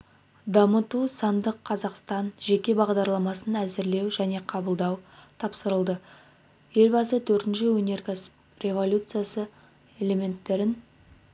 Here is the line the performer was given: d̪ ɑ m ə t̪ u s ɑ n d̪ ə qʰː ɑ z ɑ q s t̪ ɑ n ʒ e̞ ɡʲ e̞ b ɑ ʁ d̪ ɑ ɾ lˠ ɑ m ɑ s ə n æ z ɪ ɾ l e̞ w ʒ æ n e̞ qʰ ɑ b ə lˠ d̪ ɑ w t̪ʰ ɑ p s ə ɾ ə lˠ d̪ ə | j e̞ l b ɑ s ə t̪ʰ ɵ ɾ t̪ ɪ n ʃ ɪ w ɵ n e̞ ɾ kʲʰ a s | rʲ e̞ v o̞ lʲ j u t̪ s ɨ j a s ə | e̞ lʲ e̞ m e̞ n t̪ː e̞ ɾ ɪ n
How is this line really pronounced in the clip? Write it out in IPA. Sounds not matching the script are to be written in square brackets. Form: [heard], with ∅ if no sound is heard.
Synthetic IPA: d̪ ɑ m ə t̪ u s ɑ n d̪ ə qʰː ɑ z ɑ q s t̪ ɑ n ʒ e̞ [kʲ] e̞ b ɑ ʁ d̪ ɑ ɾ lˠ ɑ m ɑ s ə n æ z ɪ ɾ l e̞ w ʒ æ n e̞ qʰ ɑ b ə lˠ d̪ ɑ w t̪ʰ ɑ p s ə ɾ ə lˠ d̪ ə | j e̞ l b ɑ s ə t̪ʰ ɵ ɾ t̪ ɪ n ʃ ɪ w ɵ n e̞ ɾ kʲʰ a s | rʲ e̞ v o̞ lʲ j u t̪ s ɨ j a s ə | e̞ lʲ e̞ m e̞ n t̪ː e̞ ɾ ɪ n